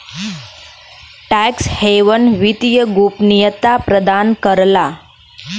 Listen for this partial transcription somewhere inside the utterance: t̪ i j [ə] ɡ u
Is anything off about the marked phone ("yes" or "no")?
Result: no